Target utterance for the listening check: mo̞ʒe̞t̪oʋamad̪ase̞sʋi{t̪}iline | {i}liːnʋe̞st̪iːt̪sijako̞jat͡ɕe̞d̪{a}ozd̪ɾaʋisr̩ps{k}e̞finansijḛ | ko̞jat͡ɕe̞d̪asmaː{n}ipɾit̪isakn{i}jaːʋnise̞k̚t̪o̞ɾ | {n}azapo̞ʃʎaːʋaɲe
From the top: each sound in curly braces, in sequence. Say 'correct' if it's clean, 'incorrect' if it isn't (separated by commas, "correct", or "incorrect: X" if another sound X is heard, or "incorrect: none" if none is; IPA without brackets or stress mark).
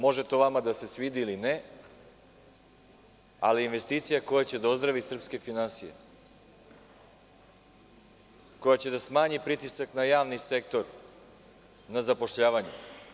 incorrect: d̪, incorrect: a, correct, correct, incorrect: ɲ, incorrect: a, correct